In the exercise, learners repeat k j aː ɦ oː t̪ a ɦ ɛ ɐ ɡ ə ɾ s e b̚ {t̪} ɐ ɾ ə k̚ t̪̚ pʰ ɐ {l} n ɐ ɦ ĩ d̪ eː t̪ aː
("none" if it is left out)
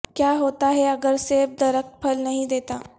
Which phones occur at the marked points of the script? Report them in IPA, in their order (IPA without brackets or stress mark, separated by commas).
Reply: d̪, l